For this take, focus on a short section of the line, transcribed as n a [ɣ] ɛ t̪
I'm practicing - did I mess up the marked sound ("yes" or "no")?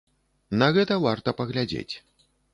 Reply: no